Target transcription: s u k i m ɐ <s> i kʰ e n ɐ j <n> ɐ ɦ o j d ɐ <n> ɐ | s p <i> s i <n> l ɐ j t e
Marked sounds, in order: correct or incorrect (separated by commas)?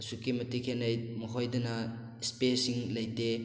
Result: incorrect, incorrect, correct, incorrect, incorrect